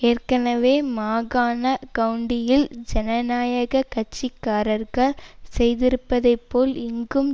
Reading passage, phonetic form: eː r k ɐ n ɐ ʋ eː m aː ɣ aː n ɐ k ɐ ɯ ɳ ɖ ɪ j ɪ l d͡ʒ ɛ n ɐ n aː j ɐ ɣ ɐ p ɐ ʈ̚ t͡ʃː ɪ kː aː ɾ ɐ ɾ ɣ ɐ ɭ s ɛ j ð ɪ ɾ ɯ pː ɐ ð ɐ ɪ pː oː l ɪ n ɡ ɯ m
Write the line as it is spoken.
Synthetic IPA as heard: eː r k ɐ n ɐ ʋ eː m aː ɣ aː n ɐ k ɐ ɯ ɳ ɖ ɪ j ɪ l d͡ʒ ɛ n ɐ n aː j ɐ ɣ ɐ k ɐ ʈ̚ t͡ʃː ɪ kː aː ɾ ɐ ɾ ɣ ɐ ɭ s ɛ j ð ɪ ɾ ɯ pː ɐ ð ɐ ɪ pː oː l ɪ ŋ ɡ ɯ m